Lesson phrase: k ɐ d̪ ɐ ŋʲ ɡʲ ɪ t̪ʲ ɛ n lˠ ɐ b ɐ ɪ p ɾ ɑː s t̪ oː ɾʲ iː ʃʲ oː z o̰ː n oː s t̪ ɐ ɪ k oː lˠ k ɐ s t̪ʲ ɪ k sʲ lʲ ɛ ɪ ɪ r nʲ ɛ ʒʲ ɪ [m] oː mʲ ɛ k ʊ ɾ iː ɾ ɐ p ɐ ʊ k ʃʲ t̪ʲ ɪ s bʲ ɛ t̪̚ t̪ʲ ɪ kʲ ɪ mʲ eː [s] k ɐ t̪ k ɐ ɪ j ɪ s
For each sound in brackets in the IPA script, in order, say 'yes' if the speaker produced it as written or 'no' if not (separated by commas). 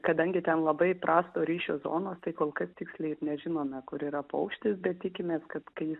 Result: no, yes